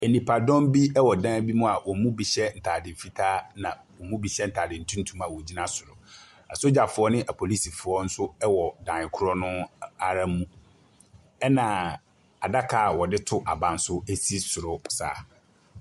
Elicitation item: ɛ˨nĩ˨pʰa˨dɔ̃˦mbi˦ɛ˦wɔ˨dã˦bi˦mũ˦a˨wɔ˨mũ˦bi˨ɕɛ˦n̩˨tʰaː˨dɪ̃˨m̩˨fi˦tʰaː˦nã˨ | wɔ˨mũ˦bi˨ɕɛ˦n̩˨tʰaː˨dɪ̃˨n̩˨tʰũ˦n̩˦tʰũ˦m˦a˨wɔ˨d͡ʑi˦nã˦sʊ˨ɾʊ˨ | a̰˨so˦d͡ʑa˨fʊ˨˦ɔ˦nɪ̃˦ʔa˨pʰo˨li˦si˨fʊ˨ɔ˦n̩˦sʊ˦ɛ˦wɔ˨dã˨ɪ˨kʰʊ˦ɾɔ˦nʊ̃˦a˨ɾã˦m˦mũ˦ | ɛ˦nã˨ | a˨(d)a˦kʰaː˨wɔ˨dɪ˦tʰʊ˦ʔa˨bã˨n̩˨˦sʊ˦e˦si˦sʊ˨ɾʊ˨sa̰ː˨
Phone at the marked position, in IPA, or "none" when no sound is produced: d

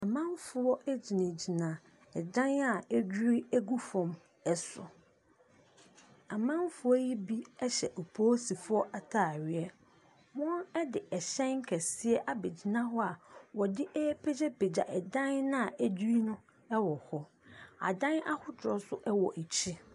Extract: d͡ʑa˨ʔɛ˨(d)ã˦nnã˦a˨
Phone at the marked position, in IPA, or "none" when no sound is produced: d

